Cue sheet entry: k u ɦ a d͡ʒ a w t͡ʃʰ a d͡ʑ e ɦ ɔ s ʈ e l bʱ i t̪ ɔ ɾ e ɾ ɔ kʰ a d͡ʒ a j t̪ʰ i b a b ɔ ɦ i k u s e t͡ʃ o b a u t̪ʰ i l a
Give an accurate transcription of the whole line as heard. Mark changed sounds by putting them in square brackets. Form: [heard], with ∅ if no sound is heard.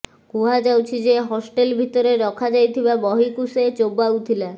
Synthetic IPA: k u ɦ a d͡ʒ a w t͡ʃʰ [i] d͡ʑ e ɦ ɔ s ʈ e l bʱ i t̪ ɔ ɾ e ɾ ɔ kʰ a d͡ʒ a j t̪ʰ i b a b ɔ ɦ i k u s e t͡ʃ o b a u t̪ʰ i l a